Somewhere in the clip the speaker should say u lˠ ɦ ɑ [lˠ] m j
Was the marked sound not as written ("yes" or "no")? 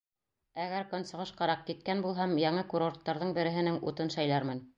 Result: yes